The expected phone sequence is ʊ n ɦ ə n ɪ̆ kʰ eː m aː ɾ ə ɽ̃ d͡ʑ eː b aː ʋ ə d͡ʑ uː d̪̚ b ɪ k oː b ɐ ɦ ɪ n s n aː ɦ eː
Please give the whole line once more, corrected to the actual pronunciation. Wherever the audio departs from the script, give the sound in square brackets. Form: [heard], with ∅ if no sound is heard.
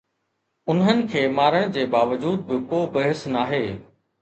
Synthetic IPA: ʊ n ɦ ə n ɪ̆ kʰ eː m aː ɾ ə ɽ̃ d͡ʑ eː b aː ʋ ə d͡ʑ uː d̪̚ b ɪ k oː b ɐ ɦ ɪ [∅] s n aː ɦ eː